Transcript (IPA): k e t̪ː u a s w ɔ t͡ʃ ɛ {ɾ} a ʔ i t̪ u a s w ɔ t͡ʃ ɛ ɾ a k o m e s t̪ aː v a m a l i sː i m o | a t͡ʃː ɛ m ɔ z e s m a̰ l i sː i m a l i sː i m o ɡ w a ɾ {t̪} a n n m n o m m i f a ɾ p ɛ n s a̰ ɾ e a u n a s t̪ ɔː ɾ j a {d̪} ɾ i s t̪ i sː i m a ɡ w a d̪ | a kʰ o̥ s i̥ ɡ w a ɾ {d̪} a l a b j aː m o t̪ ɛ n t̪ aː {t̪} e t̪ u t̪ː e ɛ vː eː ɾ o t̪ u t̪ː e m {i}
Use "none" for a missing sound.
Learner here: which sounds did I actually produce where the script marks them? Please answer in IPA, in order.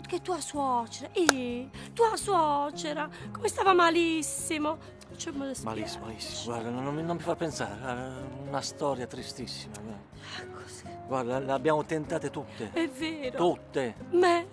ɾ, d̪, t̪, d̪, t̪, ɛ

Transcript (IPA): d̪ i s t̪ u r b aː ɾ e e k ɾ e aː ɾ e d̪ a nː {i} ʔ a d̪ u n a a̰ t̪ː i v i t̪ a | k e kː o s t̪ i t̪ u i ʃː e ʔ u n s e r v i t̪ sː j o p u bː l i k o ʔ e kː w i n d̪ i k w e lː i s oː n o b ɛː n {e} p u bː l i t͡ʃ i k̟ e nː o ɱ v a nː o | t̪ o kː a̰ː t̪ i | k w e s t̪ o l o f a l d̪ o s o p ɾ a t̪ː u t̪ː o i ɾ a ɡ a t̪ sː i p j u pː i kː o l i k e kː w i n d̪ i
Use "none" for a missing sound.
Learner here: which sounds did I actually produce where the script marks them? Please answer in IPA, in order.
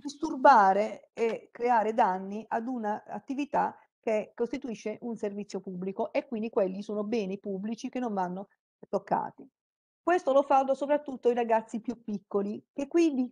i, i

